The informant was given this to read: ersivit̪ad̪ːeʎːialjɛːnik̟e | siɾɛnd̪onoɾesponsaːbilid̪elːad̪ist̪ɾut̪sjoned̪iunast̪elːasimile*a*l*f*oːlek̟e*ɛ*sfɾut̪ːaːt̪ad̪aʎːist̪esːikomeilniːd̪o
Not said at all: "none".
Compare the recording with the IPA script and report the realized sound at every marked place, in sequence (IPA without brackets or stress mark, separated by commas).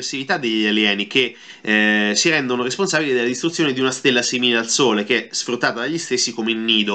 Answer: a, s, ɛ